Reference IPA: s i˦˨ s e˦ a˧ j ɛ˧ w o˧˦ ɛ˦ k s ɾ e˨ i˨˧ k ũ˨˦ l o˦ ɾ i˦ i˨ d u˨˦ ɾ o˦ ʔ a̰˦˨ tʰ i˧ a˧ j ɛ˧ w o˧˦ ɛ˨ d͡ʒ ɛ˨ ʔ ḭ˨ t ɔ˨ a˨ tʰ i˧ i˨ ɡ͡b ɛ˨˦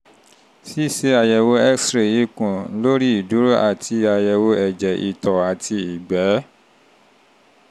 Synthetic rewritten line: s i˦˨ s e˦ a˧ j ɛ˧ w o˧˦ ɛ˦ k s ɾ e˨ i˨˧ k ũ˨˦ l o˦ ɾ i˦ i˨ d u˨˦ ɾ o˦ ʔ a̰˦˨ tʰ i˧ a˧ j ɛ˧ w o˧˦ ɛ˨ d͡ʒ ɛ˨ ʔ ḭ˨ t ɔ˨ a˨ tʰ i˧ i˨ ɡ͡b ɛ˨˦